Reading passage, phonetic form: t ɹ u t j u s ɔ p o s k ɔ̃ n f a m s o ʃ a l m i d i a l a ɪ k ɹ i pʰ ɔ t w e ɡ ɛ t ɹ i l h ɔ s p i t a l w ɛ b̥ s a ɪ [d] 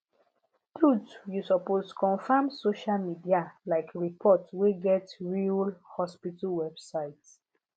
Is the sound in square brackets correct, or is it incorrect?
incorrect